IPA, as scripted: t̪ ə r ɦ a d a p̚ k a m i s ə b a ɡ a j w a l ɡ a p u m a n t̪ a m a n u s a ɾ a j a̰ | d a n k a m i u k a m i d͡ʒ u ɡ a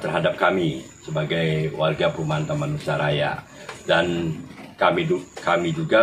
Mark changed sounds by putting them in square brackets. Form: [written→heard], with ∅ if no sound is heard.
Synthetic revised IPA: t̪ ə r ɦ a d a p̚ k a m i s ə b a ɡ a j w a [l→r] ɡ a p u m a n t̪ a m a n u s a ɾ a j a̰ | d a n k a m i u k a m i d͡ʒ u ɡ a